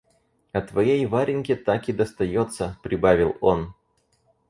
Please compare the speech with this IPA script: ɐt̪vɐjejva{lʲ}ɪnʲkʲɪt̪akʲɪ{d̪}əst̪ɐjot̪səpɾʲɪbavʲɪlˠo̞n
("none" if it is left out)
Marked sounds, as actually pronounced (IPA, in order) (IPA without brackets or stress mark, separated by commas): ɾʲ, d̪